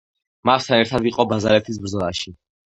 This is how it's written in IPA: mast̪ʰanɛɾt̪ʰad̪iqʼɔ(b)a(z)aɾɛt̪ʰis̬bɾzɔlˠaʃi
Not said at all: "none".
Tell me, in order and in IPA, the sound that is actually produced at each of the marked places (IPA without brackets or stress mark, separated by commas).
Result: b, z